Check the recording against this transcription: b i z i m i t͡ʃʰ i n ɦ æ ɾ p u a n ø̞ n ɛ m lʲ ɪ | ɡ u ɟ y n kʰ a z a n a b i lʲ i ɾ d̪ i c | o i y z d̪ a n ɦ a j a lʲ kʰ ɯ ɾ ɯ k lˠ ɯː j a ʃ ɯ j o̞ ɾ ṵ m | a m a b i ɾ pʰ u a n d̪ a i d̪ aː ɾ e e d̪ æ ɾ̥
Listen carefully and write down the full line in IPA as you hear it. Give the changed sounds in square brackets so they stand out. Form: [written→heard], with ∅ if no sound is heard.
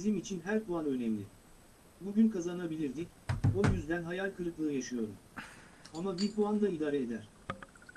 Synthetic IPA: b i z i m i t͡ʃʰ i n ɦ æ ɾ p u a n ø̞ n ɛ m lʲ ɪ | [ɡ→b] u ɟ y n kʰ a z a n a b i lʲ i ɾ d̪ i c | o [i→j] y z d̪ [a→æ] n ɦ a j a lʲ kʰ ɯ ɾ ɯ k lˠ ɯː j a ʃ ɯ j o̞ ɾ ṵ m | a m a b i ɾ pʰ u a n d̪ a i d̪ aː ɾ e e d̪ æ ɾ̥

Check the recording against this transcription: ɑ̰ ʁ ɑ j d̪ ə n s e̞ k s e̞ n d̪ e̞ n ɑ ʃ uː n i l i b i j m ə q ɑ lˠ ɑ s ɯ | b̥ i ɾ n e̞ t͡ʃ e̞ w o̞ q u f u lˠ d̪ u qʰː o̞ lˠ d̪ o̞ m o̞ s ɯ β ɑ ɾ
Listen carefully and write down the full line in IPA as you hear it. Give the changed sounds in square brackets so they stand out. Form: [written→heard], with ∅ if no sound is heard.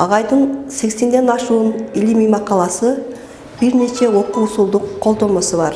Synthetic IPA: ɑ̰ ʁ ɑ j d̪ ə n s e̞ k s e̞ n d̪ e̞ n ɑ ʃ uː n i l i [b→m] i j m [ə→ɑ] q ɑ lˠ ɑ s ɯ | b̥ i ɾ n e̞ t͡ʃ e̞ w o̞ q u [f→s] u lˠ d̪ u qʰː o̞ lˠ d̪ o̞ m o̞ s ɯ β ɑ ɾ

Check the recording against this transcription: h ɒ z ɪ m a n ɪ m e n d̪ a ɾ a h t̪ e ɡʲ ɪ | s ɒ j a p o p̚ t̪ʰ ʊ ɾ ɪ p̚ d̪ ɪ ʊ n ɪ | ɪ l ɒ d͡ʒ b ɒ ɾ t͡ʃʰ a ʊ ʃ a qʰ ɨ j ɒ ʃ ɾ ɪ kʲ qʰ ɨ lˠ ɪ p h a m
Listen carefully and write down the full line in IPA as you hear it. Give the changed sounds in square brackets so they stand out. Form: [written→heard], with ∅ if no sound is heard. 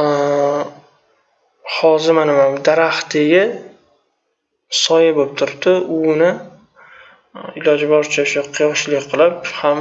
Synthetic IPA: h ɒ z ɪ m a n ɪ m [e→a] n d̪ a ɾ a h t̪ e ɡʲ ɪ | s ɒ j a [p→b] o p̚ t̪ʰ ʊ ɾ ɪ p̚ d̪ ɪ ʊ n ɪ | ɪ l ɒ d͡ʒ b ɒ ɾ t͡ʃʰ a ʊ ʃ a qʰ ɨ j ɒ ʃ [ɾ→l] ɪ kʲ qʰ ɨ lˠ ɪ p h a m

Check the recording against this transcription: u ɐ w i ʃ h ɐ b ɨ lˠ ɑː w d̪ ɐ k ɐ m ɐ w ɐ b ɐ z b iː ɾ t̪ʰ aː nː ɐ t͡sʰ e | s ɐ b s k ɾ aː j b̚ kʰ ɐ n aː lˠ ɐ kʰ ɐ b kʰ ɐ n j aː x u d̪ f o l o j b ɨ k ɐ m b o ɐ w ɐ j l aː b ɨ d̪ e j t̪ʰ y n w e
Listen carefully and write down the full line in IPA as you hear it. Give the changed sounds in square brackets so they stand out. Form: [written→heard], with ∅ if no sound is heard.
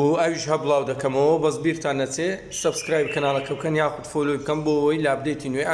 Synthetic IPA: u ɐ w i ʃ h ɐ b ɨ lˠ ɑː w d̪ ɐ k ɐ m ɐ w ɐ b ɐ z b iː ɾ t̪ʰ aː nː ɐ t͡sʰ e | s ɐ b s k ɾ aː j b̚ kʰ ɐ n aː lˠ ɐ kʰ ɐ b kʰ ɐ n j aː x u d̪ f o l o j b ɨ k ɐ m b o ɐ w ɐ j l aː b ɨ d̪ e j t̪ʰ [y→i] n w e

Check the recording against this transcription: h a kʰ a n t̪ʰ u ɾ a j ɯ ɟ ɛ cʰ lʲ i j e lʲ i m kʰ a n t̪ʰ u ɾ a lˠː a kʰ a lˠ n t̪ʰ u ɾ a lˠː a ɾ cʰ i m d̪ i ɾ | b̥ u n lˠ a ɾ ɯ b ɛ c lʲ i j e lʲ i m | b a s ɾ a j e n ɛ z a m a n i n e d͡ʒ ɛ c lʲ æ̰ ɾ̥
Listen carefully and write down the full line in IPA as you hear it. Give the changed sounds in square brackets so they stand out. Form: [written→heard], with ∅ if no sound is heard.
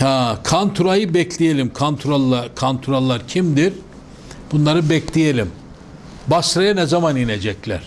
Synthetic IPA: h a kʰ a n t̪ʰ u ɾ a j ɯ [ɟ→b] ɛ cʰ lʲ i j e lʲ i m kʰ a n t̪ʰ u ɾ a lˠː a kʰ a [lˠ→∅] n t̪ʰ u ɾ a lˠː a ɾ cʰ i m d̪ i ɾ | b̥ u n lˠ a ɾ ɯ b ɛ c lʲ i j e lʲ i m | b a s ɾ a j [e→a] n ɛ z a m a n i n e d͡ʒ ɛ c lʲ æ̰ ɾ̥

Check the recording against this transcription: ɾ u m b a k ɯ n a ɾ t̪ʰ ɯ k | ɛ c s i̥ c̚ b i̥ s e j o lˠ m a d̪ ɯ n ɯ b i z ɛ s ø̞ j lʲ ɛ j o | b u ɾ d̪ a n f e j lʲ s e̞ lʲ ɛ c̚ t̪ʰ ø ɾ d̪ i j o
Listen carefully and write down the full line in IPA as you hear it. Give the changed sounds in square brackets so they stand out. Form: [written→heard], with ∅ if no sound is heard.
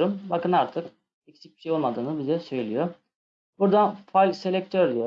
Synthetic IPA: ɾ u m b a k ɯ n a ɾ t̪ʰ ɯ k | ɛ c s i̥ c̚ b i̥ [s→ʃ] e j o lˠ m a d̪ [ɯ→ɯː] n ɯ b i z ɛ s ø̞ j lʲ [ɛ→i] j o | b u ɾ d̪ a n f [e→a] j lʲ s e̞ lʲ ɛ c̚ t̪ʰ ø ɾ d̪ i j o

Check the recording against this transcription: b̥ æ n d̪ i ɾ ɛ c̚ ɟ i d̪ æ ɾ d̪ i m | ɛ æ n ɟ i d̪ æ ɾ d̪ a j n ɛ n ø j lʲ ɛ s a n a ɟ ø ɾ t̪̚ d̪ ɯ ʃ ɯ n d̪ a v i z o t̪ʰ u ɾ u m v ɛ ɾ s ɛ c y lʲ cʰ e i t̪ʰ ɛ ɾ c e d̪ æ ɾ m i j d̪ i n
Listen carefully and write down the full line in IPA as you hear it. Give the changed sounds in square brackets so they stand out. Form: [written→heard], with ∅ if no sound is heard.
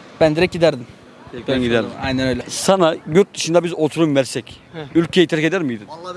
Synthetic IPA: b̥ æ n d̪ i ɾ ɛ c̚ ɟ i d̪ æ ɾ d̪ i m | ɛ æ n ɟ i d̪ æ ɾ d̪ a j n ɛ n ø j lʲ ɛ s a n a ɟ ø ɾ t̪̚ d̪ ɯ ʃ ɯ n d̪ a [v→b] i z o t̪ʰ u ɾ u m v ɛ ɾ s ɛ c y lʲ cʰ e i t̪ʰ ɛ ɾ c e d̪ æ ɾ m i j d̪ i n

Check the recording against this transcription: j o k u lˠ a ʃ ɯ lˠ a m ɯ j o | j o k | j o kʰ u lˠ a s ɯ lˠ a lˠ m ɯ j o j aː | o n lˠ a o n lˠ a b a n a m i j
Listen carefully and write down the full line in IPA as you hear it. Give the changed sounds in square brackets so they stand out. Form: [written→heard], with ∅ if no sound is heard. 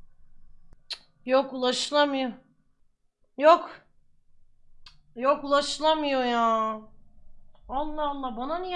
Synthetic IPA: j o k u lˠ a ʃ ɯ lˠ a m ɯ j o | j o k | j o [kʰ→k] u lˠ a [s→ʃ] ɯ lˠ a [lˠ→∅] m ɯ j o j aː | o n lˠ a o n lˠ a b a n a [m→n] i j

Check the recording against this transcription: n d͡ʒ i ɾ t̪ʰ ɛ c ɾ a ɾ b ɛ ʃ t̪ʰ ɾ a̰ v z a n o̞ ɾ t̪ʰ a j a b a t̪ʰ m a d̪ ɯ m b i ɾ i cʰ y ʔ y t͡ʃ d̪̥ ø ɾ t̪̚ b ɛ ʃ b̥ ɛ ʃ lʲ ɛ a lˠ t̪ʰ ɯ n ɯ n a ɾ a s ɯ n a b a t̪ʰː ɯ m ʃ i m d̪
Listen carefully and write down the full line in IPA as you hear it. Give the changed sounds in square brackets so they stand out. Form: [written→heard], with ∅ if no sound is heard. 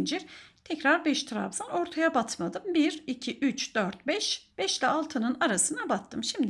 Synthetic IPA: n d͡ʒ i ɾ t̪ʰ ɛ c ɾ a ɾ b ɛ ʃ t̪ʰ ɾ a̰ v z a n o̞ ɾ t̪ʰ a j a b a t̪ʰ m a d̪ ɯ m b i ɾ i cʰ [y→i] ʔ y t͡ʃ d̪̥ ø ɾ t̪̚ b ɛ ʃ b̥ ɛ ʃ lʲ ɛ a lˠ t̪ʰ ɯ n ɯ n a ɾ a s ɯ n a b a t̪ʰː ɯ m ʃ i m d̪

